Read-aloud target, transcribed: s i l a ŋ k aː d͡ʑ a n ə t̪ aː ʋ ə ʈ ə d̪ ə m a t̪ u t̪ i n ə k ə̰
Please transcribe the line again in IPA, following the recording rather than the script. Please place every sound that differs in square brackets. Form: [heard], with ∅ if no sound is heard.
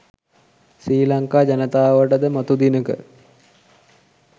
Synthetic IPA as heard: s [iː] l a ŋ k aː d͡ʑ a n ə t̪ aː ʋ ə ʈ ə d̪ ə m a t̪ u [d̪] i n ə k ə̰